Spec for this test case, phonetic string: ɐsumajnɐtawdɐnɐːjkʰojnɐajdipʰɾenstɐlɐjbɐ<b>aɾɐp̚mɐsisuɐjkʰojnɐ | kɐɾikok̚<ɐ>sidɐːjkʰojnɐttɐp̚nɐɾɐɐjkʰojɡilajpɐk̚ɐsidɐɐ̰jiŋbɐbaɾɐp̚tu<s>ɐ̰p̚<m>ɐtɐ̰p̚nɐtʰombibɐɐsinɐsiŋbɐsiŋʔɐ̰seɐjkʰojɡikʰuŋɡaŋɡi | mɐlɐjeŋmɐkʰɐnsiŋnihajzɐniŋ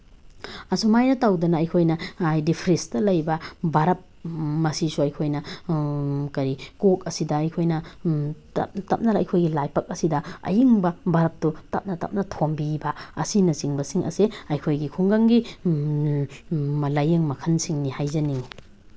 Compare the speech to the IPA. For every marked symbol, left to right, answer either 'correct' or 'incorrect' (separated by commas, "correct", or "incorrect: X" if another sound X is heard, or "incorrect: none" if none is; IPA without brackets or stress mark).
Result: correct, correct, incorrect: t, incorrect: n